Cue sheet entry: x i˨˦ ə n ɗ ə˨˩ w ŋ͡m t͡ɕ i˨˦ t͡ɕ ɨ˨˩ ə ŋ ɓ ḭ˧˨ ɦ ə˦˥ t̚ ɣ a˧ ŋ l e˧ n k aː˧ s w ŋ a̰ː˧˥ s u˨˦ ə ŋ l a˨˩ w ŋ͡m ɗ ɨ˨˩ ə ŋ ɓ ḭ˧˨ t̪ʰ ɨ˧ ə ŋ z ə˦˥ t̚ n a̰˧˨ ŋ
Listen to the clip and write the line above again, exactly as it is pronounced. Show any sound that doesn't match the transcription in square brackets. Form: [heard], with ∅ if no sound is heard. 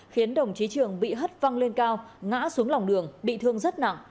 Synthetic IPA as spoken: x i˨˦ ə n ɗ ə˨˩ w ŋ͡m t͡ɕ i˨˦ t͡ɕ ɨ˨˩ ə ŋ ɓ ḭ˧˨ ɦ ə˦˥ t̚ [v] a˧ ŋ l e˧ n k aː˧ [∅] w ŋ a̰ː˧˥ s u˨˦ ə ŋ l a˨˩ w ŋ͡m ɗ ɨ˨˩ ə ŋ ɓ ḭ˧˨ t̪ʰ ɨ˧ ə ŋ z ə˦˥ t̚ n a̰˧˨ ŋ